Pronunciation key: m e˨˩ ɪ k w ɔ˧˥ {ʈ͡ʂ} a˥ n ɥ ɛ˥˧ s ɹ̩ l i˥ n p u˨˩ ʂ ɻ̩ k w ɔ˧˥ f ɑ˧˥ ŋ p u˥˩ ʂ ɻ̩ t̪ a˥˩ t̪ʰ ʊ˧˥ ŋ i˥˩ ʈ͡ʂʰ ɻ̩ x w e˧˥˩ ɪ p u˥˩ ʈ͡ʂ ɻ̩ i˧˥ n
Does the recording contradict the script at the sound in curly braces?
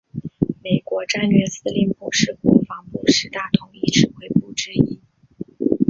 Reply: no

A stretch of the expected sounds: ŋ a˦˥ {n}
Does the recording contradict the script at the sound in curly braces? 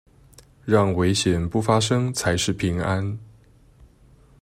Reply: no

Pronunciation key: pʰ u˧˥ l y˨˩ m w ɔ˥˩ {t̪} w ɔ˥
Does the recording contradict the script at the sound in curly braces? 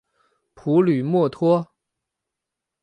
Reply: yes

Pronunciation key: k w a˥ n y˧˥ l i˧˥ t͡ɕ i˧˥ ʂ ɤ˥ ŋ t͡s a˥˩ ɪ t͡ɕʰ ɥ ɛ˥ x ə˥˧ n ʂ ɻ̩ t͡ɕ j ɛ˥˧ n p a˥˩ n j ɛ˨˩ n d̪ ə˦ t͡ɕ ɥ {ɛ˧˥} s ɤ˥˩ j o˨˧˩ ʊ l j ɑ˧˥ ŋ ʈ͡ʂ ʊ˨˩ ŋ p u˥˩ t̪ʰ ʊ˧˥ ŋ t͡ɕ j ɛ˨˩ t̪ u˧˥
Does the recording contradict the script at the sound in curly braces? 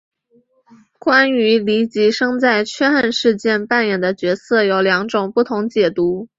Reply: no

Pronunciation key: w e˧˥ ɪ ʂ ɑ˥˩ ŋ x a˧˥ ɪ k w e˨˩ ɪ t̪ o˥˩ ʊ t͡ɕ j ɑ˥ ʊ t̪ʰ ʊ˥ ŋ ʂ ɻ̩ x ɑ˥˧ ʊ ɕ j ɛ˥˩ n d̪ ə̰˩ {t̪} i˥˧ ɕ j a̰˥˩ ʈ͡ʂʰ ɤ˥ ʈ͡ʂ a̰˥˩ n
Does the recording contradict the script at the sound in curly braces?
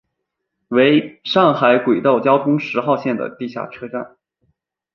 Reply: no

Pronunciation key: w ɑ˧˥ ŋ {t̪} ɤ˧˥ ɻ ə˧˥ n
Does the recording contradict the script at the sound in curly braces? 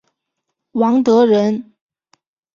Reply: no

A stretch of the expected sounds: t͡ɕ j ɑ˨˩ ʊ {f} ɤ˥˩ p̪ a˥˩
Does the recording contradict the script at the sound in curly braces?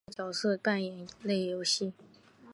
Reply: yes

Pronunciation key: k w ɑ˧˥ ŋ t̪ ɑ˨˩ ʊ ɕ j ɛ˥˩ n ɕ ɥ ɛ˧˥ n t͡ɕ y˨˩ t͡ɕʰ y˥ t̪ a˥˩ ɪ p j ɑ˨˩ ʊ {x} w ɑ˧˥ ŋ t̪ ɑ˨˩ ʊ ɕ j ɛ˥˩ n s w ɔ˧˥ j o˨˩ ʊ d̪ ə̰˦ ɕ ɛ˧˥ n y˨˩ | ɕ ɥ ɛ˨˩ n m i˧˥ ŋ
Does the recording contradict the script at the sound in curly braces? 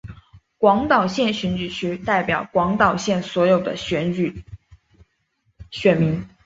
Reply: yes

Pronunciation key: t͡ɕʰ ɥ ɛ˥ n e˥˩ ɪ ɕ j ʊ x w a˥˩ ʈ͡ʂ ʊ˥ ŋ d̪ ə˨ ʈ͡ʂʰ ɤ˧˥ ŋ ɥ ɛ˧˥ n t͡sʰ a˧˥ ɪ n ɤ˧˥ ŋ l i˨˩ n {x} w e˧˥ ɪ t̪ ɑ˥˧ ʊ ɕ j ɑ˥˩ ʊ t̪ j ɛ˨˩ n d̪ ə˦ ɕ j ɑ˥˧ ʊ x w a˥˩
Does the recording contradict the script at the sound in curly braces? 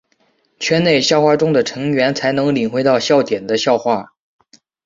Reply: no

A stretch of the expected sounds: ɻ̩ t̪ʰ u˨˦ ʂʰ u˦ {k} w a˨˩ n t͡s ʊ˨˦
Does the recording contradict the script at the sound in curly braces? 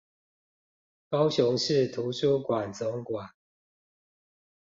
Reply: no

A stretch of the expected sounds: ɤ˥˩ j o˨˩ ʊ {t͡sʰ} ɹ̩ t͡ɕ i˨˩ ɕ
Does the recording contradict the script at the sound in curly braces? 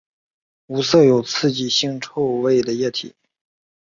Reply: no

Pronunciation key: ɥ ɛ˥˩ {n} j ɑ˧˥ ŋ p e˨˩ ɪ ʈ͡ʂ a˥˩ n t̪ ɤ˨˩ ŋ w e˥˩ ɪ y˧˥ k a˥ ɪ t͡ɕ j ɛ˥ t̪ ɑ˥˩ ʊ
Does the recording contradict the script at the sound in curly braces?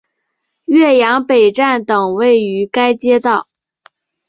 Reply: yes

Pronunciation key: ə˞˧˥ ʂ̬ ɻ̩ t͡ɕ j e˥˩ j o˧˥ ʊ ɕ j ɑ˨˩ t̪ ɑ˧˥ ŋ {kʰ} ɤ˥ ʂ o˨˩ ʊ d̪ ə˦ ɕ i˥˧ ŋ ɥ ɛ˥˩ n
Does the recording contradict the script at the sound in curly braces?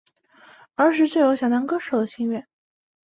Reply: yes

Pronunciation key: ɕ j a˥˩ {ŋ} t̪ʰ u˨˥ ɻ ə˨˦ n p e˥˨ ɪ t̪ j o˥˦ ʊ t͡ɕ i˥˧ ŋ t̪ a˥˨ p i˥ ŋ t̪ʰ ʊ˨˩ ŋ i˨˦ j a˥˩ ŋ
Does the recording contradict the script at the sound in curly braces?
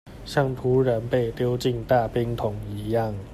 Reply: no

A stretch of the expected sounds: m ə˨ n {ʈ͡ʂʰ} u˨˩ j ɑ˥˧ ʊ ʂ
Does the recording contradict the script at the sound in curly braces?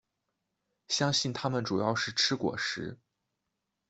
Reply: yes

